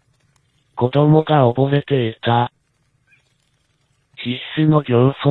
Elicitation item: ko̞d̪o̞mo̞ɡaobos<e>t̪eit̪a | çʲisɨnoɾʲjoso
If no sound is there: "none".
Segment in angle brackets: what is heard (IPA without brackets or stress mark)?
e